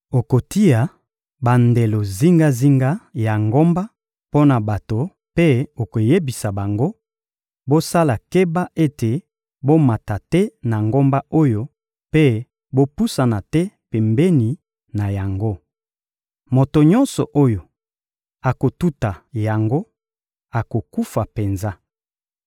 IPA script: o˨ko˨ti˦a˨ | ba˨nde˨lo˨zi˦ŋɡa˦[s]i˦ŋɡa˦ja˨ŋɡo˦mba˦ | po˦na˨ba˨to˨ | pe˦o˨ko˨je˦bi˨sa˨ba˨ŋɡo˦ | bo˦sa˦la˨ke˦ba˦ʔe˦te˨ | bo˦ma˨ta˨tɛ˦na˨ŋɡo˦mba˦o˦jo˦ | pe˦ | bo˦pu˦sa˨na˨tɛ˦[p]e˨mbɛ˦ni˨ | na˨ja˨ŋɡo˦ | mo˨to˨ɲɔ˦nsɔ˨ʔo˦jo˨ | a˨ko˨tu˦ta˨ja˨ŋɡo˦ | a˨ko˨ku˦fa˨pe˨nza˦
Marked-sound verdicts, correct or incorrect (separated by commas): incorrect, correct